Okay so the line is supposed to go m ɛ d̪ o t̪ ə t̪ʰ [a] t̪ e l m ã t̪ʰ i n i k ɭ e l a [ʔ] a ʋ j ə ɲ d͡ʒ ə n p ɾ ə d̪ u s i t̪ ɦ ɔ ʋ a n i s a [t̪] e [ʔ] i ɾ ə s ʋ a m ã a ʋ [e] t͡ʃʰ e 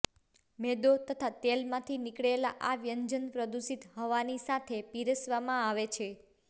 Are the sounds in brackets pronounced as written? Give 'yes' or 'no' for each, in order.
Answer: yes, yes, no, no, yes

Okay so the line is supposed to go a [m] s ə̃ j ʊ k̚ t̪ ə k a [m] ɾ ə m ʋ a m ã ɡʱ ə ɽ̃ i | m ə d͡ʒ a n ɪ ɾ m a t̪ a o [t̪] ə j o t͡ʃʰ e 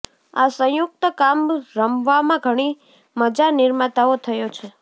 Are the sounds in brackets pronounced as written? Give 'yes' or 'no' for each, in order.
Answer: no, yes, no

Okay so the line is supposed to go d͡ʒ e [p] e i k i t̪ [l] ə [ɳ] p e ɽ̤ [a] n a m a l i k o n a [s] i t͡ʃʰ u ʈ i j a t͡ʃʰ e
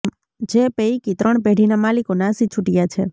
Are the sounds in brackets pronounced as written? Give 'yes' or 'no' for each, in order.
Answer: yes, no, yes, no, yes

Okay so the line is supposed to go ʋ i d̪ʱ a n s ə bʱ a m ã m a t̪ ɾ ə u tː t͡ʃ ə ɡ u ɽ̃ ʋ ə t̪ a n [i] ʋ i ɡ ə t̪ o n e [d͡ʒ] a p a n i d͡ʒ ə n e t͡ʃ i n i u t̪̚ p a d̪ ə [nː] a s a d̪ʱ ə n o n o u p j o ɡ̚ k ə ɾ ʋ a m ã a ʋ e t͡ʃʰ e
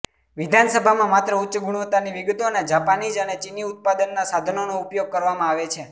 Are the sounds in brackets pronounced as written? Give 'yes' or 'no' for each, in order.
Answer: yes, yes, yes

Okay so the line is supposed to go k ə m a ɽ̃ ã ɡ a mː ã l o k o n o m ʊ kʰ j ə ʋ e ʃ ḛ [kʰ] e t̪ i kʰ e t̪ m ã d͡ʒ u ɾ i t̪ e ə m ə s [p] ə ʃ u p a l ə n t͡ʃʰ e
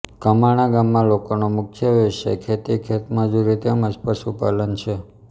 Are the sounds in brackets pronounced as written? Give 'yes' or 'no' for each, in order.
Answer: yes, yes

